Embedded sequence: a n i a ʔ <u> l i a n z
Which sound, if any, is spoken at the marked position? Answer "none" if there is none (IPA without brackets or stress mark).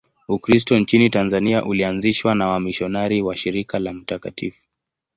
u